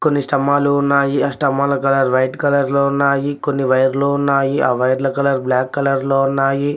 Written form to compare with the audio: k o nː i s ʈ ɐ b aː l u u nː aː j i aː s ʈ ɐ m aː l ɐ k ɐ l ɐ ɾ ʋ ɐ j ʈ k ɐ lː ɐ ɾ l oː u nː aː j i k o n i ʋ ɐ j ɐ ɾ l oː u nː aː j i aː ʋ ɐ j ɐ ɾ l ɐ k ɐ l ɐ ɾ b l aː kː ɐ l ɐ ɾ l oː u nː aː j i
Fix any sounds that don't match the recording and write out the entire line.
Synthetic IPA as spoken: k o nː i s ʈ ɐ m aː l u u nː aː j i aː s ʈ ɐ m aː l ɐ k ɐ l ɐ ɾ ʋ ɐ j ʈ k ɐ l ɐ ɾ l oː u nː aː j i k o nː i ʋ ɐ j ɐ ɾ l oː u nː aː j i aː ʋ ɐ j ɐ ɾ l ɐ k ɐ l ɐ ɾ b l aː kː ɐ l ɐ ɾ l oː u nː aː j i